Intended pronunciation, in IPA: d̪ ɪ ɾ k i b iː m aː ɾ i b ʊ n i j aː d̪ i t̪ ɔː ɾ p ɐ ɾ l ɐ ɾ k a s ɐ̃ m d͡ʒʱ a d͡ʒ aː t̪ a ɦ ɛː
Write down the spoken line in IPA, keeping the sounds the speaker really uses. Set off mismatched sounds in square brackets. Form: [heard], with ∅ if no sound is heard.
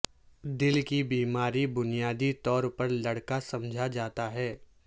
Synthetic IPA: d̪ ɪ [l] k i b iː m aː ɾ i b ʊ n i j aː d̪ i t̪ ɔː ɾ p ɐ ɾ l ɐ [ɽ] k a s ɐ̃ m d͡ʒʱ a d͡ʒ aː t̪ a ɦ ɛː